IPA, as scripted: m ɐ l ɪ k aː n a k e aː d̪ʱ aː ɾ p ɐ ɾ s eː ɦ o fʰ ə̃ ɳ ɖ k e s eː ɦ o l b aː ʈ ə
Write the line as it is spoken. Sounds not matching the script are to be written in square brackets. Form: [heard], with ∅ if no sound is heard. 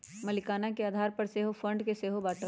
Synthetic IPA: m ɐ l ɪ k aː n a k e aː d̪ʱ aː ɾ p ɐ ɾ s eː ɦ o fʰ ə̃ ɳ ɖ k e s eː ɦ o [∅] b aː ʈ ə